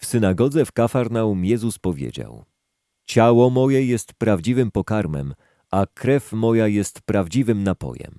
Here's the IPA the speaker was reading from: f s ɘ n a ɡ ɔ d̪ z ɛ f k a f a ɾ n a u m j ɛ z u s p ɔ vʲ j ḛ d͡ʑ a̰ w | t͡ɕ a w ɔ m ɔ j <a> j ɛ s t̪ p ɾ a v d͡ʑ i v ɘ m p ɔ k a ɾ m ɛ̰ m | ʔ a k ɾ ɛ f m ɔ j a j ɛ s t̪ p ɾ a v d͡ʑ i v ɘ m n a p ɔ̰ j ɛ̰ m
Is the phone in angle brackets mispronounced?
yes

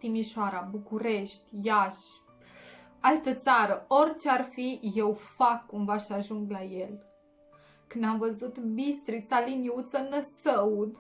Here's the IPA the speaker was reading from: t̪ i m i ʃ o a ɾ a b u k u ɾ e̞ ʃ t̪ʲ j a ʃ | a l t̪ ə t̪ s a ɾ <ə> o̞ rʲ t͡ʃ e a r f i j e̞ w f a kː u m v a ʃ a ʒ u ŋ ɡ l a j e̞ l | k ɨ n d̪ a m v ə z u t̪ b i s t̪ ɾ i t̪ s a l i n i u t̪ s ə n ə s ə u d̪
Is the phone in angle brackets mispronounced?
no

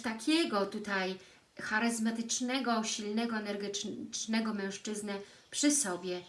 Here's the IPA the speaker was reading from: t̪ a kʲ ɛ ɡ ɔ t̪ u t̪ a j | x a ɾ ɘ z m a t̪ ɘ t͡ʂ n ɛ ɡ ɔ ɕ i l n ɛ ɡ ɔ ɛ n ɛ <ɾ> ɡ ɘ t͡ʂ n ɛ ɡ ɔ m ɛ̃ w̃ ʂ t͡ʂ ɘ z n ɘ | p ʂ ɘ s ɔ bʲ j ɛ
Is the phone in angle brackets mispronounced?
no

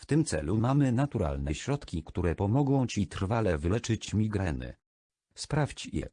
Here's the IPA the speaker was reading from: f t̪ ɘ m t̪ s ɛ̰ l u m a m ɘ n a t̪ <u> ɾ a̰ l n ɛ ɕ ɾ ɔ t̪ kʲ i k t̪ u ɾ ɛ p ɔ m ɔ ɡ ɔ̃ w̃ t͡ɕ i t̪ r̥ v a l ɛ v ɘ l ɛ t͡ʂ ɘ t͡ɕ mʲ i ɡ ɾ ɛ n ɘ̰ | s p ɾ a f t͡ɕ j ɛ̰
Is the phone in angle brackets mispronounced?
no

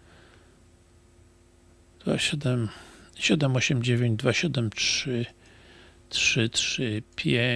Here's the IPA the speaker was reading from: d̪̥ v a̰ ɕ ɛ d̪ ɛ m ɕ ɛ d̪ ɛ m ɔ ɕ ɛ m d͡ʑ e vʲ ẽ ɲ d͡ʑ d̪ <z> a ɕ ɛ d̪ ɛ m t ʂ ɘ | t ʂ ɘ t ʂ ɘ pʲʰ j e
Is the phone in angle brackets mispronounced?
yes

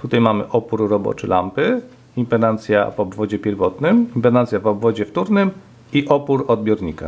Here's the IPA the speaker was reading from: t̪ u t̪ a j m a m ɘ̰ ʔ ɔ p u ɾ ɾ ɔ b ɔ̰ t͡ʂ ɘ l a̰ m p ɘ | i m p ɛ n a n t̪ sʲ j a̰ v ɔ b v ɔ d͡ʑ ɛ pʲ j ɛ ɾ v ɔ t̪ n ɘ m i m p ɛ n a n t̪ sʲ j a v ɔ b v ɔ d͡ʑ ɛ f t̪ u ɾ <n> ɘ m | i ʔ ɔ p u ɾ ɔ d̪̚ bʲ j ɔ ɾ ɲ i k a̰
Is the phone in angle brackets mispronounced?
no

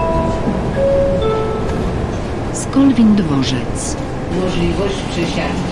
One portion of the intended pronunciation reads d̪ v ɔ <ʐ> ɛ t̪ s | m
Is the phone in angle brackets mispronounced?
no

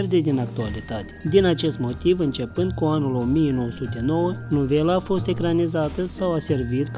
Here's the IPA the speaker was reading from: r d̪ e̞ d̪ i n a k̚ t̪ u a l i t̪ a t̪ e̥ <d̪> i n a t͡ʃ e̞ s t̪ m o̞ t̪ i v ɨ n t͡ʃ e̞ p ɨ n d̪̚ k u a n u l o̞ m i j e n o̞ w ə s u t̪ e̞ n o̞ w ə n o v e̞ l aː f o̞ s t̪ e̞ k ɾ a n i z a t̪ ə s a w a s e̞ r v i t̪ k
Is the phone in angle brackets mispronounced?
no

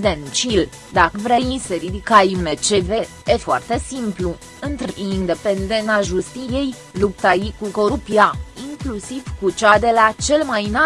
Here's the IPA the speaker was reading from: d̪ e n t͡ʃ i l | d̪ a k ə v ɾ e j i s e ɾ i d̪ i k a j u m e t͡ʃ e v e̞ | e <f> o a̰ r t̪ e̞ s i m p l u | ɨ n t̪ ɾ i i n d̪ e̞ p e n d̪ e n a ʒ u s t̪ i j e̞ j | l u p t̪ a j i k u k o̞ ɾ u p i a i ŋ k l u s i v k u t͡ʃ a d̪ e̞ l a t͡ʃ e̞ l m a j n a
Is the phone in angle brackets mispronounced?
no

